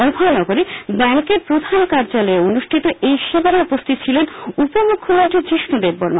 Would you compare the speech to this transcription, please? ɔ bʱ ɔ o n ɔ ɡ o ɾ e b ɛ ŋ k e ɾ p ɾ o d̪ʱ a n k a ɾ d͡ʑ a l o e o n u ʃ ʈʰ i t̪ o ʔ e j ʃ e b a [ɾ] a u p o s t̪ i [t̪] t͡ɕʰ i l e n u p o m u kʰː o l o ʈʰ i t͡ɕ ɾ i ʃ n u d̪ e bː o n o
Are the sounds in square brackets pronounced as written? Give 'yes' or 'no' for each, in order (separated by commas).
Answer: yes, yes